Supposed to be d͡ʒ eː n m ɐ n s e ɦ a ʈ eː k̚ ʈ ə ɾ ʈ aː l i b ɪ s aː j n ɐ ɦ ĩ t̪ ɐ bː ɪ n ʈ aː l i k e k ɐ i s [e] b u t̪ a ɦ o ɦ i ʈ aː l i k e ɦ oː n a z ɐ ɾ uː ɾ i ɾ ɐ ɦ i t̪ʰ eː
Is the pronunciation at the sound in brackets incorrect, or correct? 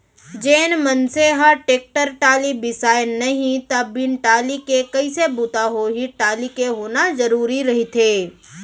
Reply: correct